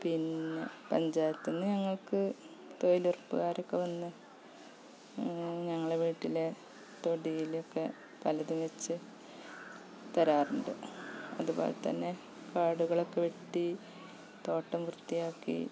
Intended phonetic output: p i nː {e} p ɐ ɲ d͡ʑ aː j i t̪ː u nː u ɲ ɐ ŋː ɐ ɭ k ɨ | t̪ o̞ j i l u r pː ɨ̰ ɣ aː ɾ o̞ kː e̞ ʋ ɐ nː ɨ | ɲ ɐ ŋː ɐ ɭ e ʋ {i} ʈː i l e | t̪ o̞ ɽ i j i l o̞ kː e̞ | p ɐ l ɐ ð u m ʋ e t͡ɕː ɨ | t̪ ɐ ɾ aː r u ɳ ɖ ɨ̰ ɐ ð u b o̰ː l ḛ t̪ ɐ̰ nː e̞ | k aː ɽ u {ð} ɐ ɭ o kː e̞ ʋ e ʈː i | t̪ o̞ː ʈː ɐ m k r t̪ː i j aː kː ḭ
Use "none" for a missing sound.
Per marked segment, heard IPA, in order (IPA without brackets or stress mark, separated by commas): e, iː, ɣ